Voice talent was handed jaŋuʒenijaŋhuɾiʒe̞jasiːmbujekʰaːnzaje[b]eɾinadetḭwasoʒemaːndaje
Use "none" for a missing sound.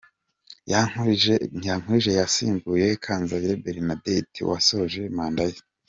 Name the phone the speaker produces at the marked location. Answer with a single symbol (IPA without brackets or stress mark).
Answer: b